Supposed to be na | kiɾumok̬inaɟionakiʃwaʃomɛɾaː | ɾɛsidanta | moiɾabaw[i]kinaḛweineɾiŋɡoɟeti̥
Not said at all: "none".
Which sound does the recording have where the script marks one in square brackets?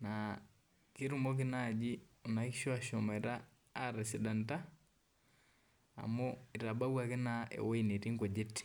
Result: a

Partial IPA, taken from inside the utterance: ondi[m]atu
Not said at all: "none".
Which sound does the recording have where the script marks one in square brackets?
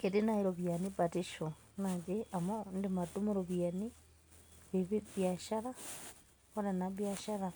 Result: m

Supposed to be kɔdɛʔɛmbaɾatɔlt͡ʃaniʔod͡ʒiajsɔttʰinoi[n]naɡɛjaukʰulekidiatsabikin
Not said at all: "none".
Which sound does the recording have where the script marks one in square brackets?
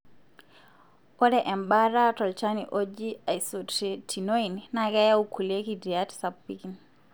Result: n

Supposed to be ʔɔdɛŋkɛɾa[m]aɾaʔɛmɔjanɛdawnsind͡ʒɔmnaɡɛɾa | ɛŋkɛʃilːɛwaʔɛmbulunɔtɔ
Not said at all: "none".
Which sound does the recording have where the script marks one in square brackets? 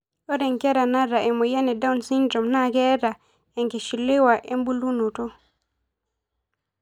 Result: n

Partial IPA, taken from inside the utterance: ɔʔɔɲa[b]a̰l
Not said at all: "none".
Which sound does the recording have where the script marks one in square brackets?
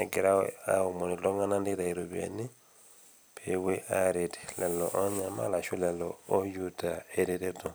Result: m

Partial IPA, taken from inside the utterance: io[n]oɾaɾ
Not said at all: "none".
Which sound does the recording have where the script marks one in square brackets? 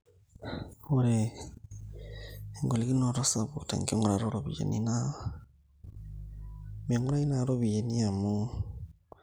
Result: ŋ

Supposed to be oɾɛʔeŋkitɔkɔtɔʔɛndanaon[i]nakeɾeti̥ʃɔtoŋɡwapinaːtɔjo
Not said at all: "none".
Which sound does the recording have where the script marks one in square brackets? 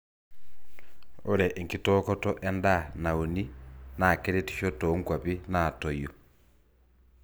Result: i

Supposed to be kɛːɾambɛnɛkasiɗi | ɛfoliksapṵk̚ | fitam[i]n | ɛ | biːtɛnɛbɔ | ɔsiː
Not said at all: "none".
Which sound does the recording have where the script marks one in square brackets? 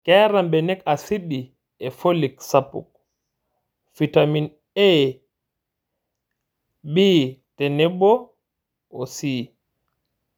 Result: i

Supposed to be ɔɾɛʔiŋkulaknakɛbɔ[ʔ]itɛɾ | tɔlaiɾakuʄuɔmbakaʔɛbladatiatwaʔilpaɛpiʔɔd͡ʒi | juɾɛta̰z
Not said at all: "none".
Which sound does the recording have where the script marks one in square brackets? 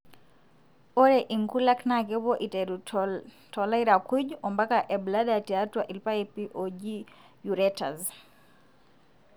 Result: ʔ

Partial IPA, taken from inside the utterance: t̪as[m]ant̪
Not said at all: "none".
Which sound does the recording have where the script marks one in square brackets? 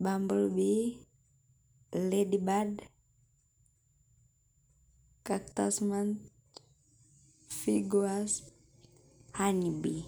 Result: m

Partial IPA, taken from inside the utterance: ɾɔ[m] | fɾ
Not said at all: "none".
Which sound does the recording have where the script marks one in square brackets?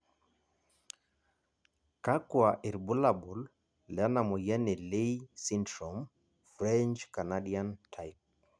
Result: m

